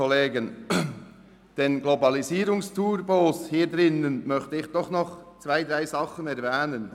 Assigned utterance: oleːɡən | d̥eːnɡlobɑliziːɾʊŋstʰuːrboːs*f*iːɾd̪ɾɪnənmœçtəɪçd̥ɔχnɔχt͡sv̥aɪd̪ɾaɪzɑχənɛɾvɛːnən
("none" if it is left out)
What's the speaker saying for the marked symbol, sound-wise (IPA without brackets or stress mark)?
h